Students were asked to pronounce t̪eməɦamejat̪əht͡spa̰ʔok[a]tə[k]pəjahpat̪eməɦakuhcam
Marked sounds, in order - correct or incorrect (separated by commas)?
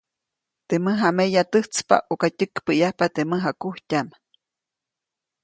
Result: correct, correct